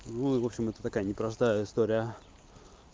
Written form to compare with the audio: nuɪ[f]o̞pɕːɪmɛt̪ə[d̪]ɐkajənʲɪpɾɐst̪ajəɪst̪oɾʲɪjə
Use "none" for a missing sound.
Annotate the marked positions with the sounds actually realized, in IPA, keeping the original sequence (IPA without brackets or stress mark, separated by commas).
v, t̪